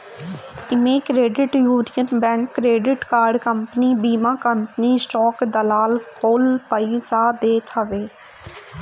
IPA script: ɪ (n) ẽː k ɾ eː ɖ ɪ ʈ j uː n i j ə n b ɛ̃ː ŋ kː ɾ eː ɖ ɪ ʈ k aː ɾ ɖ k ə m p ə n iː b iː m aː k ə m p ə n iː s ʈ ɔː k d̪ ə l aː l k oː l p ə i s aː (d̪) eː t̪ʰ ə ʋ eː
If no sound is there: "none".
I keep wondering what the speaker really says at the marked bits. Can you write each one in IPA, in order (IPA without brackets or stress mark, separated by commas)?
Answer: m, d̪